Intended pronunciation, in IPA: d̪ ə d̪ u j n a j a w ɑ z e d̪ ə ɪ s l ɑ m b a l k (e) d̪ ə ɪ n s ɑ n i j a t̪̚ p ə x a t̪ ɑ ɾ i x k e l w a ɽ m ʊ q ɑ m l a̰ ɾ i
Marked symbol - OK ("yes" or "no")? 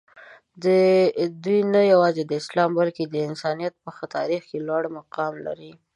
yes